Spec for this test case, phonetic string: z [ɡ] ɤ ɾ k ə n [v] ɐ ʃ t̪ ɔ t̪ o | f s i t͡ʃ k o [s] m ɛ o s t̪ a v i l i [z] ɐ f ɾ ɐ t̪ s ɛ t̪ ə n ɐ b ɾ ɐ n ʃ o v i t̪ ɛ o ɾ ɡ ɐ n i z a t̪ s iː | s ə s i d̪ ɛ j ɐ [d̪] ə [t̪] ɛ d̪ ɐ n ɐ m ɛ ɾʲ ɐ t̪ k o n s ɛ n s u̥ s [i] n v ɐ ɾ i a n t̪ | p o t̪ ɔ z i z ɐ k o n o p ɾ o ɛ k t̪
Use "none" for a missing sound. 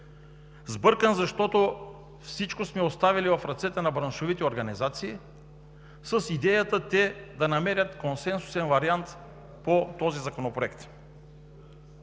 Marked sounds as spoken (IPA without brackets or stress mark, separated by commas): b, z, s, v, t̪, t̪, ɛ